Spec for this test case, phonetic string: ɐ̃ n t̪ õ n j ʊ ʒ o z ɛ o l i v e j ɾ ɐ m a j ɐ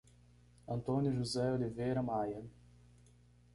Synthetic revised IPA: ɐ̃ n t̪ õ n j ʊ ʒ u z ɛ o l i v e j ɾ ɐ m a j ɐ